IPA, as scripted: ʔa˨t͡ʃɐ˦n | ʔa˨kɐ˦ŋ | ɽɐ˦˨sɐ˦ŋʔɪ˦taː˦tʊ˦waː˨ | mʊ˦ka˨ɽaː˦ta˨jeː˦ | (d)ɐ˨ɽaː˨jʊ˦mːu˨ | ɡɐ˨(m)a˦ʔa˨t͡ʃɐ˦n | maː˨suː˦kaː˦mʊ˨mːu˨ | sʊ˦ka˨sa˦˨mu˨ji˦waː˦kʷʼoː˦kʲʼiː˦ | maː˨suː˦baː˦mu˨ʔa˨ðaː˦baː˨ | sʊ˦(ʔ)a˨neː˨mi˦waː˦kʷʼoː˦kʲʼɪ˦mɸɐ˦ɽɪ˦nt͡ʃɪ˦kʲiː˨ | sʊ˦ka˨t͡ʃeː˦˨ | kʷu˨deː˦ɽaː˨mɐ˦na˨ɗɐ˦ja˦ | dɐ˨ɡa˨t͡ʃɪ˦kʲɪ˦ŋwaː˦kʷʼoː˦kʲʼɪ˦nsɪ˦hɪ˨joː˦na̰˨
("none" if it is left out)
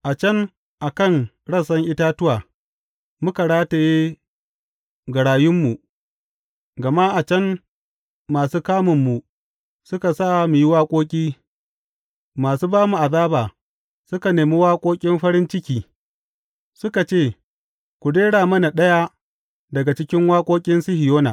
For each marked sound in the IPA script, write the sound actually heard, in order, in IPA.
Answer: ɡ, m, k

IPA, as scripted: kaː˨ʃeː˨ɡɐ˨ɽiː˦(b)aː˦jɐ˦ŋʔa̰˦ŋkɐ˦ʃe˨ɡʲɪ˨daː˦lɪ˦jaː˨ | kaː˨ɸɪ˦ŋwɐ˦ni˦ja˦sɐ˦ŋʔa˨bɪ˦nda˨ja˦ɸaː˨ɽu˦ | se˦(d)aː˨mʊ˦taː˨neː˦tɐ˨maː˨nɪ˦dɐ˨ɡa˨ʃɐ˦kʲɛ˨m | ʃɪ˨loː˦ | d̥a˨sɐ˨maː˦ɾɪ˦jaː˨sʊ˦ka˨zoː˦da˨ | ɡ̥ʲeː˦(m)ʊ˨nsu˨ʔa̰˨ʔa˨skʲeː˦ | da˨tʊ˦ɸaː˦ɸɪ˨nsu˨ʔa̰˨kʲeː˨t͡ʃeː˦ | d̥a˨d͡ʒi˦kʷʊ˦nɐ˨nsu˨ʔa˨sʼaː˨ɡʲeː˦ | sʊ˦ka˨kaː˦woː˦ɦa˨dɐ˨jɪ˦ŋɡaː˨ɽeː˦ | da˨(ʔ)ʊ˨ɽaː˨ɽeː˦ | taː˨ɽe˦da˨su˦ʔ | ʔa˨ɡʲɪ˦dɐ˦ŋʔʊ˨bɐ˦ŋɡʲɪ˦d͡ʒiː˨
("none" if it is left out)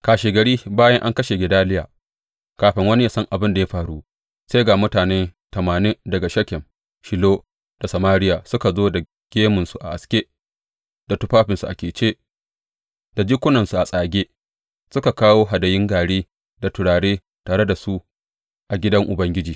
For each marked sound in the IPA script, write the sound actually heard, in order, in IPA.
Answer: b, ɡ, m, t

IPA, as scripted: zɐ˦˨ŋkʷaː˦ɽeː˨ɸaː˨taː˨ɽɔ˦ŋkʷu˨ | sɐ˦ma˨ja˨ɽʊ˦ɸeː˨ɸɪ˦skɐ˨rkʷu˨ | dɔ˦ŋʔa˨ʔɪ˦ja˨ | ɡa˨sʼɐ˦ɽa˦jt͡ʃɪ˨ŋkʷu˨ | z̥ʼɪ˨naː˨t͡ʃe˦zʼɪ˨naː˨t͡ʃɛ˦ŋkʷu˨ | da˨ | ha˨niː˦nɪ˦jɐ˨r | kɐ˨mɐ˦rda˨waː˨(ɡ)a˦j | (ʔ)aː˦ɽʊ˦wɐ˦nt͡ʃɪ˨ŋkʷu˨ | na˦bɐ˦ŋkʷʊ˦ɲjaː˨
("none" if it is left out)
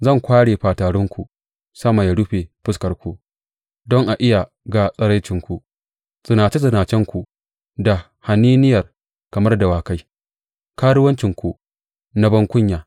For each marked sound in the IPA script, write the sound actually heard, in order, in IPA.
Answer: k, k

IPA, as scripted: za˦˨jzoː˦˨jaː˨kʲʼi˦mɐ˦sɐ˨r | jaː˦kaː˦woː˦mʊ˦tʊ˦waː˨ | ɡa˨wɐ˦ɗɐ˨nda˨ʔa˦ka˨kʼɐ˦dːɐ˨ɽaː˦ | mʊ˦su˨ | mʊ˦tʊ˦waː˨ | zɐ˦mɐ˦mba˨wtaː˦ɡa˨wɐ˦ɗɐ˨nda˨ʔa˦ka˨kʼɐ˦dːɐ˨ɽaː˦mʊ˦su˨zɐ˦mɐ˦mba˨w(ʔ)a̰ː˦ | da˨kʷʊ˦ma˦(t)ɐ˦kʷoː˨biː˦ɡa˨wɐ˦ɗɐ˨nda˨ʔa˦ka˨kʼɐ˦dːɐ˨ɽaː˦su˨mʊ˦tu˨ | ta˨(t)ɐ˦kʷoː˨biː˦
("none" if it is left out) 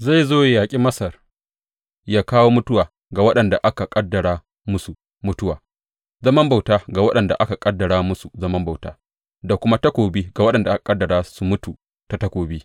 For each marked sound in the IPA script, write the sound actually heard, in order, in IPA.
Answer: t, t, t

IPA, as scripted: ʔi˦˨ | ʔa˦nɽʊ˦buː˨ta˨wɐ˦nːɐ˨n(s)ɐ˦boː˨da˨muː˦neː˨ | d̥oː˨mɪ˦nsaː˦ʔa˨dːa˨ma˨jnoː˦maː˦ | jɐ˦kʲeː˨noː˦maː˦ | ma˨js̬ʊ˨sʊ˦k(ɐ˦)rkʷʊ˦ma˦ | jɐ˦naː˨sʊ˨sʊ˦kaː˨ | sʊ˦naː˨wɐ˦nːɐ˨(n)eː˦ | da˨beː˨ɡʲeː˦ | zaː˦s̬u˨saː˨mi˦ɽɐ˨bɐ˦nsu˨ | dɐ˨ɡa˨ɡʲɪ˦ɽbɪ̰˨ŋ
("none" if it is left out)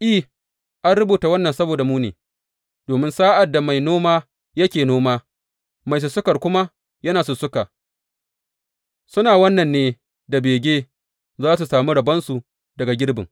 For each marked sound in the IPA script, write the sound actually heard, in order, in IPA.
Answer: s, ɐ˨, nː

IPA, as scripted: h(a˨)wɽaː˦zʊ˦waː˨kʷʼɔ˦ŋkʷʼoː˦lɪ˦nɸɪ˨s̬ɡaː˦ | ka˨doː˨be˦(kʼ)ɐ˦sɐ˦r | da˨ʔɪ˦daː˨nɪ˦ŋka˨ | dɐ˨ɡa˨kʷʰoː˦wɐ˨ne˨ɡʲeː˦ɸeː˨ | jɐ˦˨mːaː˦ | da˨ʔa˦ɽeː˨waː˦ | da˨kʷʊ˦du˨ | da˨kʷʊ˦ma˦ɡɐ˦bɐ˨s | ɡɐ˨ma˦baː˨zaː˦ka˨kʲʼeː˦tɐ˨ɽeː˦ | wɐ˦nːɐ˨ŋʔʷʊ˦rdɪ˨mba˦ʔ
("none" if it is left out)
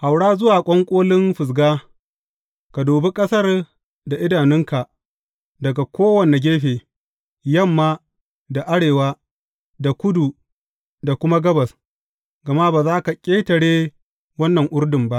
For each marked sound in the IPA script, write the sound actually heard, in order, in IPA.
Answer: a˨, kʼ

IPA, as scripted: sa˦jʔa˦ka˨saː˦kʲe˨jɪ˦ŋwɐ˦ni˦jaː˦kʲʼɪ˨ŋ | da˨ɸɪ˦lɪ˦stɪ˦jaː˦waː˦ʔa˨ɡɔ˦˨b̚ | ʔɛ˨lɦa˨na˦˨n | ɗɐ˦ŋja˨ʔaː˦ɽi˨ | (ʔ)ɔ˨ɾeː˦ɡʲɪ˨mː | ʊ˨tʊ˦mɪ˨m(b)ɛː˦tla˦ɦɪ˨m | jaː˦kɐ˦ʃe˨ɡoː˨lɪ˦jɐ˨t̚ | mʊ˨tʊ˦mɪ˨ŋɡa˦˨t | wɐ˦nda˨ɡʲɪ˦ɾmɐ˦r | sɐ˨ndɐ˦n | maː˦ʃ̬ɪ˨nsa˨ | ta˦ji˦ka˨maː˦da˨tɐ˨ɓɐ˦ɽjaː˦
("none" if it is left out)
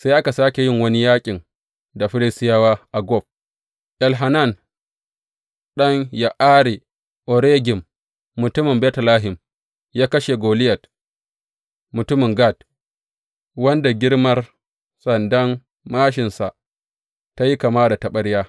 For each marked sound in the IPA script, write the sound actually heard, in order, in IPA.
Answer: ʔ, b

